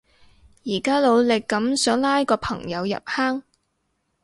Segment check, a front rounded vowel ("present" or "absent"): present